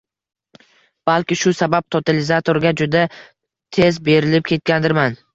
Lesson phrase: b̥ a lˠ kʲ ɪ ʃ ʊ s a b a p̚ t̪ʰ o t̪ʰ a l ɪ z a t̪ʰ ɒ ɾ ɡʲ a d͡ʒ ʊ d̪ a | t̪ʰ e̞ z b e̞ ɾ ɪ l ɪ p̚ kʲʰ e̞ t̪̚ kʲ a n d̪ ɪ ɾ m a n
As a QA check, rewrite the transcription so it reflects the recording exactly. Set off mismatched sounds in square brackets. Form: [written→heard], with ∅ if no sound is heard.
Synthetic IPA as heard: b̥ a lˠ kʲ ɪ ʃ ʊ s a b a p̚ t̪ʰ o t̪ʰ a l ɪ z a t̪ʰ [ɒ→o] ɾ ɡʲ a d͡ʒ ʊ d̪ a | t̪ʰ e̞ z b e̞ ɾ ɪ l ɪ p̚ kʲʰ e̞ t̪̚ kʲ a n d̪ ɪ ɾ m a n